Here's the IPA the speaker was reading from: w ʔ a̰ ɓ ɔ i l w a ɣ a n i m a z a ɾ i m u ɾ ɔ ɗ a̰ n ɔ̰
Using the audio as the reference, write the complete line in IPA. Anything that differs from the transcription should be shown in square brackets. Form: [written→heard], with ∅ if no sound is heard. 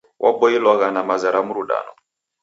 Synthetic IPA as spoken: w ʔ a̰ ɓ ɔ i l w a ɣ a n [i→a] m a z a ɾ [i→a] m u ɾ [ɔ→u] ɗ a̰ n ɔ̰

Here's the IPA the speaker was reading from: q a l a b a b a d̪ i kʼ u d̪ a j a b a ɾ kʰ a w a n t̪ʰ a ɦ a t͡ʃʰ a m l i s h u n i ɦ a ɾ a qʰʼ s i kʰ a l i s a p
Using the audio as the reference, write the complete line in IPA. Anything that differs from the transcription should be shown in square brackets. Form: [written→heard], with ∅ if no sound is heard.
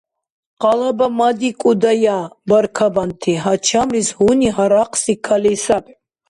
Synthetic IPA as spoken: q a l a b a [b→m] a d̪ i kʼ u d̪ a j a b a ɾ kʰ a [w→b] a n t̪ʰ [a→i] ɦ a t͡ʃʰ a m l i s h u n i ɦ a ɾ a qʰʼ s i kʰ a l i s a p

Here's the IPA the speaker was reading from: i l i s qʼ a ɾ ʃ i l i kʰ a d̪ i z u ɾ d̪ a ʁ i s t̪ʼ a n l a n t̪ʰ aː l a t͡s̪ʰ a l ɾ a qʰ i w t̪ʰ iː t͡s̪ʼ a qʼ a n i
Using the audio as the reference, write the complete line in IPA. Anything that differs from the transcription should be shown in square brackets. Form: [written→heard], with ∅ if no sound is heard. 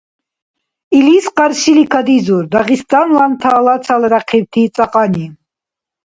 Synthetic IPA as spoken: i l i s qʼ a ɾ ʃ i l i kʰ a d̪ i z u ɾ d̪ a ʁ i s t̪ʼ a n l a n t̪ʰ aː l a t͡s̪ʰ a l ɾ a qʰ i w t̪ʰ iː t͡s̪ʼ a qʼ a n i

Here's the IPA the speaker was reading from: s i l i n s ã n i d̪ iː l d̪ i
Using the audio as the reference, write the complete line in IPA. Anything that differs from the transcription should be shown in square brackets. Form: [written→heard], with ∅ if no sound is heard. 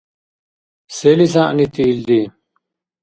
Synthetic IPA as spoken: s [i→e] l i [n→∅] s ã n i [d̪→t̪] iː l d̪ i

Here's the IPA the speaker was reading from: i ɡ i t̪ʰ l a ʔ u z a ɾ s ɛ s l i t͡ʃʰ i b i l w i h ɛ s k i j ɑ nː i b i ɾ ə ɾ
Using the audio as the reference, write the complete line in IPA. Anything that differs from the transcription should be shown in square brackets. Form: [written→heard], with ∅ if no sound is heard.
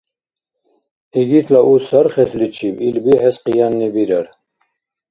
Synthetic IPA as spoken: i ɡ i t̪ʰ l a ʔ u [z→s] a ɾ [s→χ] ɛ s l i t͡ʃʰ i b i l [w→b] i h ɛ s [k→q] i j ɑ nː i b i ɾ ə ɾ

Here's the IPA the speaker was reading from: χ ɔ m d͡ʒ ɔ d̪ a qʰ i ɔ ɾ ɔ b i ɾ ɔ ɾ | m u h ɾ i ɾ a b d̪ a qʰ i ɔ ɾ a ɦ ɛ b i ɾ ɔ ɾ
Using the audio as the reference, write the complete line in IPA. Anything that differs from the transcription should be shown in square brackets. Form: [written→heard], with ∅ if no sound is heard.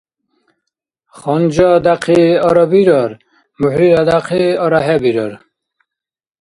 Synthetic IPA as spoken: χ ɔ [m→n] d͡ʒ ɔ d̪ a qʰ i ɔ ɾ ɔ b i ɾ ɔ ɾ | m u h ɾ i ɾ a [b→∅] d̪ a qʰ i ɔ ɾ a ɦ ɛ b i ɾ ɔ ɾ

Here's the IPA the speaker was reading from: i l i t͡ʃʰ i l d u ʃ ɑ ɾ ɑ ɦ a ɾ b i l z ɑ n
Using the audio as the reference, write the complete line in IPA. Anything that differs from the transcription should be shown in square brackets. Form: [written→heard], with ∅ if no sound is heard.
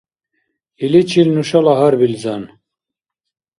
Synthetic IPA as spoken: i l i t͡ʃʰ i l [d→n] u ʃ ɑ [ɾ→l] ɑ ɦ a ɾ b i l z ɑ n

